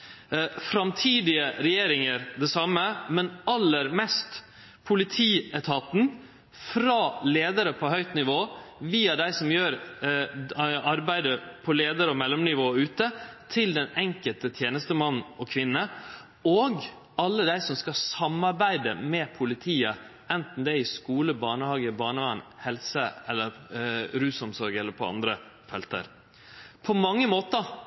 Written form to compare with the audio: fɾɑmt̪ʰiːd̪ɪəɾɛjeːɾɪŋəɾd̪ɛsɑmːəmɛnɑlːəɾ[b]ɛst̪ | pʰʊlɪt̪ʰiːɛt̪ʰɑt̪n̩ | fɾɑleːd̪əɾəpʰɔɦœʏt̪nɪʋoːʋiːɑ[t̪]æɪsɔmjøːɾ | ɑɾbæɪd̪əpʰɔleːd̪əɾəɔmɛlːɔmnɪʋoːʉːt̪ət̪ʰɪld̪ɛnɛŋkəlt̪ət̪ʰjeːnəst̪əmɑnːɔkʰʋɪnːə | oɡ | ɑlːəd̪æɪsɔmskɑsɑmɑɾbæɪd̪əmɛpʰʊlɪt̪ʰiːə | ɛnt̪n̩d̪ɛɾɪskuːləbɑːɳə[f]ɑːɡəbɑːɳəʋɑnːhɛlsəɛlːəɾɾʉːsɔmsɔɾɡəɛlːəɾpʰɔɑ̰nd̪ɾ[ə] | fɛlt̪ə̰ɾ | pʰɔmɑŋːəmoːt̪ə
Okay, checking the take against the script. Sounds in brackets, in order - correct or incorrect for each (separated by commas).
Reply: incorrect, incorrect, incorrect, correct